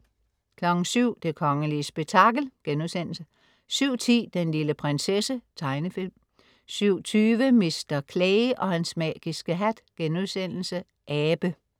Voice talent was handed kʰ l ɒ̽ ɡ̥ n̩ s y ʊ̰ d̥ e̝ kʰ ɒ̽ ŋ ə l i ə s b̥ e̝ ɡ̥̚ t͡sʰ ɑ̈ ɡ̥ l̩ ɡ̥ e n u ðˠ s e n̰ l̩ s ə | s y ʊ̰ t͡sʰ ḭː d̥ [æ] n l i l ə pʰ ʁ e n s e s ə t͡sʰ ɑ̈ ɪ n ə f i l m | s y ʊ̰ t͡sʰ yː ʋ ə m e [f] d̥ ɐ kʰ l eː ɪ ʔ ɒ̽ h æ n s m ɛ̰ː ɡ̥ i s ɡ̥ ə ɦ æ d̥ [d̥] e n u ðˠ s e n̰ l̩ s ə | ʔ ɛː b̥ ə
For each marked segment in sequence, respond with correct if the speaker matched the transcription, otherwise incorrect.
incorrect: e, incorrect: s, incorrect: ɡ̥

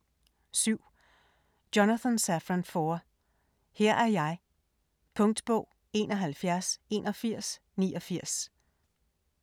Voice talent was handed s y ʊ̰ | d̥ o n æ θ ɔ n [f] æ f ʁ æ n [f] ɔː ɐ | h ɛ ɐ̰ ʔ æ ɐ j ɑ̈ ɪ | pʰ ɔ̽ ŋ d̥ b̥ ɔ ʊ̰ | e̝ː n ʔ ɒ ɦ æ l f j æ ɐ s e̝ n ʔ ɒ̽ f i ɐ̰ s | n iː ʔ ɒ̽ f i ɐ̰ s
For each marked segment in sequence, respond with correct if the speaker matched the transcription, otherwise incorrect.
incorrect: s, correct

